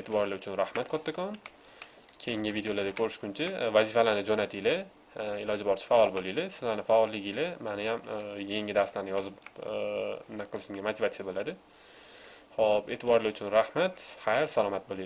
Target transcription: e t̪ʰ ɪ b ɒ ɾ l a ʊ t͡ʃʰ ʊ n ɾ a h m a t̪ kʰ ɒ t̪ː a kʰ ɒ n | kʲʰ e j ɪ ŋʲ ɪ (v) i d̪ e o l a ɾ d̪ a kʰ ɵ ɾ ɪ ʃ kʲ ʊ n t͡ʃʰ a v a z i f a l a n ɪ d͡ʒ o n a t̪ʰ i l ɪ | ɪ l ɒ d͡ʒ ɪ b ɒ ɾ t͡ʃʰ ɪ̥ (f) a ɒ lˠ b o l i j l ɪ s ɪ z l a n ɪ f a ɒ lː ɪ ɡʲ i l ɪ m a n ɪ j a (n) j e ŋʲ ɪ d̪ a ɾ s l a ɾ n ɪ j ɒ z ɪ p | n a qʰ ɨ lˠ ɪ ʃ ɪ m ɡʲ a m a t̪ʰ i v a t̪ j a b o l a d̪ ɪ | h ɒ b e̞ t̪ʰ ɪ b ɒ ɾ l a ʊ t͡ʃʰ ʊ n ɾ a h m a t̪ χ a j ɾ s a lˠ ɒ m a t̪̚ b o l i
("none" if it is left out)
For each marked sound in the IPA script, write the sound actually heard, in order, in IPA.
v, f, m

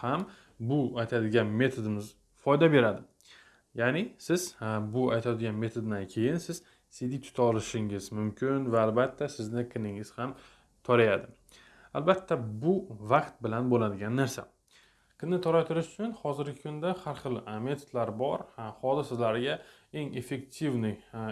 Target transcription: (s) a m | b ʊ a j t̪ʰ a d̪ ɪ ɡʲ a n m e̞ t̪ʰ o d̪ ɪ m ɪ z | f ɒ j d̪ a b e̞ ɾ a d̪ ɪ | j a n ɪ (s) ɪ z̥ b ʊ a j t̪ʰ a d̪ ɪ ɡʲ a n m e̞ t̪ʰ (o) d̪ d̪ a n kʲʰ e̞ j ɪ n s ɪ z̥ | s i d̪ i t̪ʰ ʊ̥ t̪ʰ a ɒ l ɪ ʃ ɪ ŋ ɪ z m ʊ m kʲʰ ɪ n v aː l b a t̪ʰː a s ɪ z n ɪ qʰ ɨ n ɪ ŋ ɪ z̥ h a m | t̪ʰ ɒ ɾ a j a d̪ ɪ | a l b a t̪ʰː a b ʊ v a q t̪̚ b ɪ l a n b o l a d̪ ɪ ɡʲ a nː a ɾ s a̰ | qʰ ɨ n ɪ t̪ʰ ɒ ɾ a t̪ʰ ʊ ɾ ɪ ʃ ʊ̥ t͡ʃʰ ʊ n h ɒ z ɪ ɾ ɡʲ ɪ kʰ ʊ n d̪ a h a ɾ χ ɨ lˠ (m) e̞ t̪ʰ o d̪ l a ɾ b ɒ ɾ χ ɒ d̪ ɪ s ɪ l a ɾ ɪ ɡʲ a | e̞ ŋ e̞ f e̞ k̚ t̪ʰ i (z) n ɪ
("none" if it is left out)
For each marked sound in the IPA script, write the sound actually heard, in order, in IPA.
h, s, o, m, v

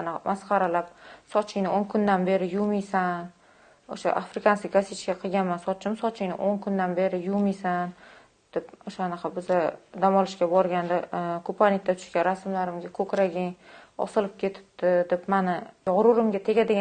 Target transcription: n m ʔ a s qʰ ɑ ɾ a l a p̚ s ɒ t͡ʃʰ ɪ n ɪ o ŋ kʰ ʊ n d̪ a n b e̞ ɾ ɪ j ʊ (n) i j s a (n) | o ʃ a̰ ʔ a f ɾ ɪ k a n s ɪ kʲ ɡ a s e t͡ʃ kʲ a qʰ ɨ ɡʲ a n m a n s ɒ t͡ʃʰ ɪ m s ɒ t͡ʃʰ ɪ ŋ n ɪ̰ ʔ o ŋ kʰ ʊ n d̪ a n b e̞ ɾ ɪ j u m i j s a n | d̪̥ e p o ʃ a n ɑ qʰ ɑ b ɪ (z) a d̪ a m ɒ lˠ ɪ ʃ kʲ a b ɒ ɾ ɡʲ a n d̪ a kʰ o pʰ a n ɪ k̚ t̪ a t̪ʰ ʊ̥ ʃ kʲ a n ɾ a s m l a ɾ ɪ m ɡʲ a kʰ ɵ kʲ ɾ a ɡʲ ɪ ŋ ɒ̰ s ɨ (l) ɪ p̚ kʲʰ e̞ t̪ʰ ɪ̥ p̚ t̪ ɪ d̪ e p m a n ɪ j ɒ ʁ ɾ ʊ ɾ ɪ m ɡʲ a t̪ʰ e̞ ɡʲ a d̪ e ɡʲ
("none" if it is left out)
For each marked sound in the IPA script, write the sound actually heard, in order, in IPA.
m, n, z, l

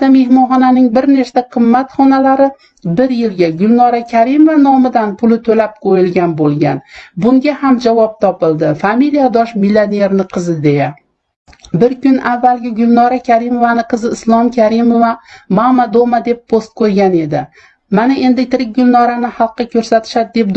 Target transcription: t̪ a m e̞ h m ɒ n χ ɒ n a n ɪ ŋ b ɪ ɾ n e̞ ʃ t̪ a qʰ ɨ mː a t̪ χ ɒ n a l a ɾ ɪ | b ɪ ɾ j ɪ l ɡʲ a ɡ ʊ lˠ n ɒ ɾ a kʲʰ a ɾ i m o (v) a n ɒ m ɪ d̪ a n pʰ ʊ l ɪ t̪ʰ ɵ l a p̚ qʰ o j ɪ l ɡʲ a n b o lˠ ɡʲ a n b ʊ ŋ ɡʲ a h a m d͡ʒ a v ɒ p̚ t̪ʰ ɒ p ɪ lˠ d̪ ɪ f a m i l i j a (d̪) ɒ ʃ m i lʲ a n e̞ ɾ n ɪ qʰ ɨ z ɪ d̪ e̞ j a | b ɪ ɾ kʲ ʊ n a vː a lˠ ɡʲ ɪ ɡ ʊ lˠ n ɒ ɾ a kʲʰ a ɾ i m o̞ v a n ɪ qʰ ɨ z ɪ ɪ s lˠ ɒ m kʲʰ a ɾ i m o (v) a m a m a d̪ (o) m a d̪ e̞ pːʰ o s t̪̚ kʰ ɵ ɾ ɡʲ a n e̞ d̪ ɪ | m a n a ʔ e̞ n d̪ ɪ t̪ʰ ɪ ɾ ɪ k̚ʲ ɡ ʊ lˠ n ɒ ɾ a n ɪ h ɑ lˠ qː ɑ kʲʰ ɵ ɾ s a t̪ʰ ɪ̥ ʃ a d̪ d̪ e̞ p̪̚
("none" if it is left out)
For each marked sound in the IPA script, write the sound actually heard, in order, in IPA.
v, d̪, v, o

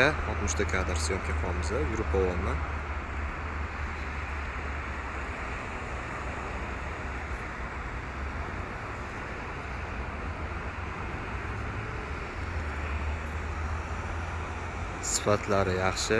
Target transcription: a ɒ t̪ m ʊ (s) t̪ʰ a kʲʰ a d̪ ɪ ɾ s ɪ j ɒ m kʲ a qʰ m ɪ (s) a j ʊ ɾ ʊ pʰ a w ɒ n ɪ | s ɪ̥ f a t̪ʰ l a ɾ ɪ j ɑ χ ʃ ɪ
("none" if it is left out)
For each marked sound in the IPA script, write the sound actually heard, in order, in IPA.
ʃ, z

